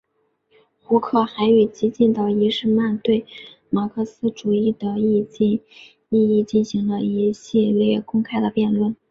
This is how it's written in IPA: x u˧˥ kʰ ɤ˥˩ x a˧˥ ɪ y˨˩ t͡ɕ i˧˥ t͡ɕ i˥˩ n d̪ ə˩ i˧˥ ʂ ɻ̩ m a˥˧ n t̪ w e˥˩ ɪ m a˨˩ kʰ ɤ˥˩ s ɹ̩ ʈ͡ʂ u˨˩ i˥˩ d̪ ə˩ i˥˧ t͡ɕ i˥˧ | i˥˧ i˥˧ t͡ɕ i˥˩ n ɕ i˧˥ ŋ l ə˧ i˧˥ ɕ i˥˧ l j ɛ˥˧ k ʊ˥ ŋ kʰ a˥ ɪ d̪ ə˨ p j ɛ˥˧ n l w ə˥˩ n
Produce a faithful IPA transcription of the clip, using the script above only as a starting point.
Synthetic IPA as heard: x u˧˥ kʰ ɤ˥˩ x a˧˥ ɪ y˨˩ t͡ɕ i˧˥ t͡ɕ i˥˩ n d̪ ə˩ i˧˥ ʂ ɻ̩ m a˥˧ n t̪ w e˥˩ ɪ m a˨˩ kʰ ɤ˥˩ s ɹ̩ ʈ͡ʂ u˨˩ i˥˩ d̪ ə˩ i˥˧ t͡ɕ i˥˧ | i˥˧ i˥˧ t͡ɕ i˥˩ n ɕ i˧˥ ŋ l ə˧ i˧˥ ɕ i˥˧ l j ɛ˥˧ k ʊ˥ ŋ kʰ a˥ ɪ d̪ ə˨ p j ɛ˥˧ n l w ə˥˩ n